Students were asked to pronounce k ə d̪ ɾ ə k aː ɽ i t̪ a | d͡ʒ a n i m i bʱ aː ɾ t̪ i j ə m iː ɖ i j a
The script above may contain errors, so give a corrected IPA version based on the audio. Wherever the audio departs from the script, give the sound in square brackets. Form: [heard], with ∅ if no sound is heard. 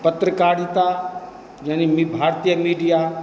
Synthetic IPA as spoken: [p] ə [t̪] ɾ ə k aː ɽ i t̪ a | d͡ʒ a n i m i bʱ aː ɾ t̪ i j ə m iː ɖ i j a